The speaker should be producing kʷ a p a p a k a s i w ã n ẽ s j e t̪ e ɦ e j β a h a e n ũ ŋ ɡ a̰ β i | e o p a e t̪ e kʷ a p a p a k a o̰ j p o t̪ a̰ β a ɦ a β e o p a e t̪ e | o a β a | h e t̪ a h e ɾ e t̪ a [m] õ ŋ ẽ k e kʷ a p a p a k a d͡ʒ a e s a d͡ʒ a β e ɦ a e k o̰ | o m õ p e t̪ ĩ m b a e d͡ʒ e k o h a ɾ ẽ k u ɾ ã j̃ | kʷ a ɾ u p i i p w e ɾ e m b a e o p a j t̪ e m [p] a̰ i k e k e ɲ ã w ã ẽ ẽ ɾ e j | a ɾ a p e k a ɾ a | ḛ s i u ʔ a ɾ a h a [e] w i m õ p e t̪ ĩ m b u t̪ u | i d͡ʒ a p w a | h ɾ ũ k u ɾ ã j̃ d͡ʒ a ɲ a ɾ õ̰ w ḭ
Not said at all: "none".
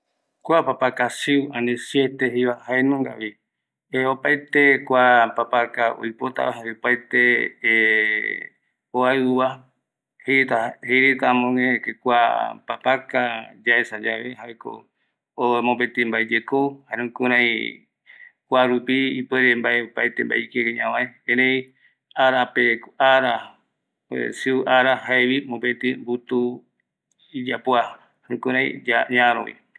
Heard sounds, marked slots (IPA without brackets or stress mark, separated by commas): m, b, e